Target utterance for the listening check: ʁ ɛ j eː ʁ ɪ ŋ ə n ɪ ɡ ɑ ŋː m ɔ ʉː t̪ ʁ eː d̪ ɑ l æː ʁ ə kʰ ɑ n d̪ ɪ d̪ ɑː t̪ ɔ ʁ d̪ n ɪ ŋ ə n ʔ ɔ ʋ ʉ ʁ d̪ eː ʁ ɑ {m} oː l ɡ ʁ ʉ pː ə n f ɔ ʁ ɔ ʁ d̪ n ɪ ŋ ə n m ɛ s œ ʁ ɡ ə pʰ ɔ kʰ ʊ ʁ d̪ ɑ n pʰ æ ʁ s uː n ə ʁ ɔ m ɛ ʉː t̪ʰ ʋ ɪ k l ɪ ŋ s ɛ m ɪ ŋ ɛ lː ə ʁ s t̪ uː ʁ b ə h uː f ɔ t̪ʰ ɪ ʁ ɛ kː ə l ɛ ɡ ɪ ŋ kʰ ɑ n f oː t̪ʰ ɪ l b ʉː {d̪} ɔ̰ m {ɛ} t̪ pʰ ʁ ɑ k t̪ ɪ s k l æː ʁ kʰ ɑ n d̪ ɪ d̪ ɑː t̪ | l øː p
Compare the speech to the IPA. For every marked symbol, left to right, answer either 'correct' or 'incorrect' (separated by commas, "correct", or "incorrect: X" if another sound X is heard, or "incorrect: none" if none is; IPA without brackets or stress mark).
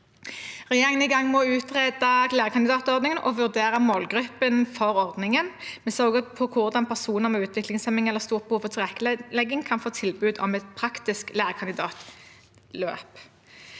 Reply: correct, correct, correct